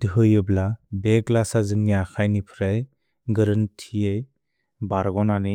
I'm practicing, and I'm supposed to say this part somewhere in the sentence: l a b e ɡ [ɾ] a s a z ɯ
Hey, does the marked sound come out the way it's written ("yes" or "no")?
no